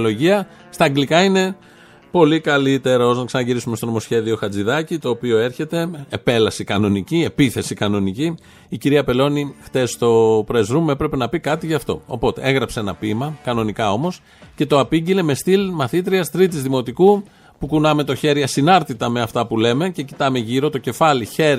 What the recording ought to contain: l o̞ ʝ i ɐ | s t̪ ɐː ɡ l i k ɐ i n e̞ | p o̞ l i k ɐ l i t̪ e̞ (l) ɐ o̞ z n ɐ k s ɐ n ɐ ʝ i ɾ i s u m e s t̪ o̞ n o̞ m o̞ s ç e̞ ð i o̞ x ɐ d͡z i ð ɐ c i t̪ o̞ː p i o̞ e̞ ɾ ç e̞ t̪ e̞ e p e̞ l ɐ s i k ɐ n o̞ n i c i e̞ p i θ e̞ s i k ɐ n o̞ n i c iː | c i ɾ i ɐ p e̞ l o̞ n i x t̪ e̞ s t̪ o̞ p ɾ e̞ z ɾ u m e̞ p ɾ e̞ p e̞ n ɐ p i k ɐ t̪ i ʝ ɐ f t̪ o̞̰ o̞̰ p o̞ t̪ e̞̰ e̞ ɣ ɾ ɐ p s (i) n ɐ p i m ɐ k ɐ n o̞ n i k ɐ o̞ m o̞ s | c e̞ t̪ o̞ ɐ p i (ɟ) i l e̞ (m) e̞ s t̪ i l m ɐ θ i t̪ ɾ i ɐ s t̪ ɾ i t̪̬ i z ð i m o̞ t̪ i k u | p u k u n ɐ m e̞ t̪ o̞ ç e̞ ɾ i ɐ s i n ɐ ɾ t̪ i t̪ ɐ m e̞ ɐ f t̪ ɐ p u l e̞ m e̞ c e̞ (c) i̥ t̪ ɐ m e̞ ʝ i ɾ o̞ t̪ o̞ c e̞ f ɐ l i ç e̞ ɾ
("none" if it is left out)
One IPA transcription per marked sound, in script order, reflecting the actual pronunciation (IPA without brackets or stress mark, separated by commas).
ɾ, e, ɟ, m, c